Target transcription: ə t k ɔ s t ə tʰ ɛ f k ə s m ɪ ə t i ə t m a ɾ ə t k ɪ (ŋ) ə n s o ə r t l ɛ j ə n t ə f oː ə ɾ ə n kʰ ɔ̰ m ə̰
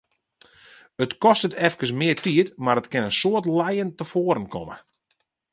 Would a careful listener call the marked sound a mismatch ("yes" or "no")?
yes